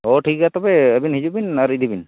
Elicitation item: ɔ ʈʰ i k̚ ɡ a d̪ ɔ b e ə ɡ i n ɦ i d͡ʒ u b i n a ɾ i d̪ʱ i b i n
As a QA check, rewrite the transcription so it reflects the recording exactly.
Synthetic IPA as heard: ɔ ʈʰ i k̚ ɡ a t̪ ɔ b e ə b i n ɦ i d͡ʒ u b i n a ɾ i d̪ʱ i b i n